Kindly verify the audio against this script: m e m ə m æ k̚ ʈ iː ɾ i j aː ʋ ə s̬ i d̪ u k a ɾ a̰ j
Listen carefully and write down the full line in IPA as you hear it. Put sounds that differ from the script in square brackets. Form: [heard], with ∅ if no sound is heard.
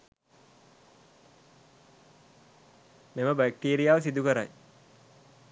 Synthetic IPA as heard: m e m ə [b] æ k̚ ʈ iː ɾ i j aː ʋ ə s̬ i d̪ u k [ə] ɾ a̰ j